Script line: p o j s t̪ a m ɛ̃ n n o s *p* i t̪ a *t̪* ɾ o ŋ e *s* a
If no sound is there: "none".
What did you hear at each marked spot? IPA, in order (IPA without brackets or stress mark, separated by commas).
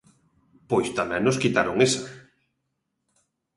k, none, s